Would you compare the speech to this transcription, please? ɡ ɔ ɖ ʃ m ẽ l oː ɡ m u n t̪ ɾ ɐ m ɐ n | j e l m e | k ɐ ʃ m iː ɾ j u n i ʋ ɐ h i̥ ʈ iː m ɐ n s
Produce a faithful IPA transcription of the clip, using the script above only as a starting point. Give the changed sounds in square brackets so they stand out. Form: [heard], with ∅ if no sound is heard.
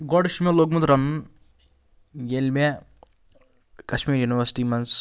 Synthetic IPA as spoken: ɡ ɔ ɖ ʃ m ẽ l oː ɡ m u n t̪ ɾ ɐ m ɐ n | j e l m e | k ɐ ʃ m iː ɾ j u n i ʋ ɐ [s] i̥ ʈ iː m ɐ n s